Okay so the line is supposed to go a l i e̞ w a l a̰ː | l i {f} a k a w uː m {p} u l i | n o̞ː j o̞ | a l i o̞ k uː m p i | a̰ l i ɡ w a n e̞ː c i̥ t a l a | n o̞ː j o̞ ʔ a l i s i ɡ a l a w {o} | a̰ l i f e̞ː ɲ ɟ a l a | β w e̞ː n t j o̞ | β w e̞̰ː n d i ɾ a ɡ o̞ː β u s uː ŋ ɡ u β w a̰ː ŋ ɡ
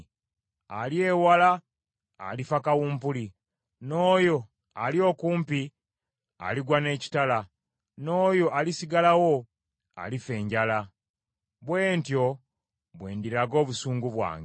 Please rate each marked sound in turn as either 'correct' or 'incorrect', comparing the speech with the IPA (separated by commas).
correct, correct, correct